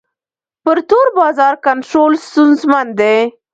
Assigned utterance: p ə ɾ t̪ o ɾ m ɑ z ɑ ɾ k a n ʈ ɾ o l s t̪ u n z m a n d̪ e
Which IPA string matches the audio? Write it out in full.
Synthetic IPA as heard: p ə ɾ t̪ o ɾ b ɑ z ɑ ɾ k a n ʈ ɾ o l s t̪ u n z m a n d̪ e